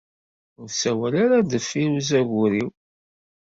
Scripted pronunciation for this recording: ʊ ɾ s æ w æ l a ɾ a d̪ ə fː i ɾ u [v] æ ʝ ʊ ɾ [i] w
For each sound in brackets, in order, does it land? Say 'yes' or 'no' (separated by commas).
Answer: no, yes